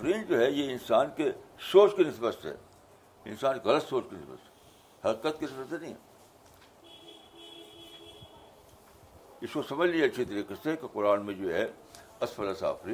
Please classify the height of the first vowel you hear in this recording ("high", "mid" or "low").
high